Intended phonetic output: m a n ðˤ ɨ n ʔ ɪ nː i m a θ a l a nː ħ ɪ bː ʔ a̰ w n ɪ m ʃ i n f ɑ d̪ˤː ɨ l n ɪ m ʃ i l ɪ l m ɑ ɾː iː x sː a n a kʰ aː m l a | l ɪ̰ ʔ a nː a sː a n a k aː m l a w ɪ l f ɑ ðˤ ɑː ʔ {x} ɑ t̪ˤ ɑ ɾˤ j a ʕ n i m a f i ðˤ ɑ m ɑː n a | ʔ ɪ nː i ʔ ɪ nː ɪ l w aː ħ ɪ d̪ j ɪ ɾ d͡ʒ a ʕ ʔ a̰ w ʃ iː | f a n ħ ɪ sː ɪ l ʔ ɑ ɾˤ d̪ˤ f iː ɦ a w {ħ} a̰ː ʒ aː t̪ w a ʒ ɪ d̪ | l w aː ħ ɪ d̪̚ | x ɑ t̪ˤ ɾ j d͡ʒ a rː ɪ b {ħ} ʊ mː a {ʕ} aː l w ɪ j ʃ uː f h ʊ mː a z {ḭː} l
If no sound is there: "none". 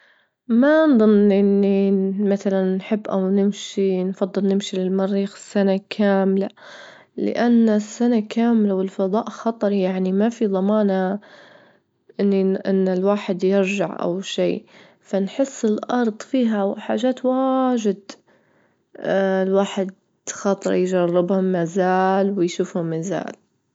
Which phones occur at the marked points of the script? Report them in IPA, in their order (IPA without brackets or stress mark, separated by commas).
x, ħ, h, z, a̰ː